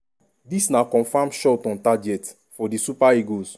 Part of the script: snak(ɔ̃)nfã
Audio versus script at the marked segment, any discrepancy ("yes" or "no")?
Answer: no